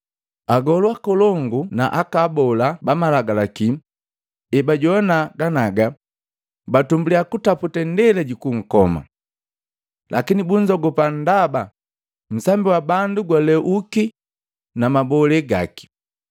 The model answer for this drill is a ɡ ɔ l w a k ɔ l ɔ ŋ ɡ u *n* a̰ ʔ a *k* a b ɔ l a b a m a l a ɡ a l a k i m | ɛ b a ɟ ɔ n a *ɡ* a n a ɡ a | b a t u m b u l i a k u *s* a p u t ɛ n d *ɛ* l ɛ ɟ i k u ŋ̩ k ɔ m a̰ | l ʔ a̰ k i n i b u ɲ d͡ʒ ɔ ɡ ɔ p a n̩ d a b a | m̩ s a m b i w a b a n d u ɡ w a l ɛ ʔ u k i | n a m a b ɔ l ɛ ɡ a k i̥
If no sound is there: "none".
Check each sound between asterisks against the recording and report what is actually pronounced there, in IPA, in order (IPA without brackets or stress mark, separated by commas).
n, k, ɡ, t, ɛ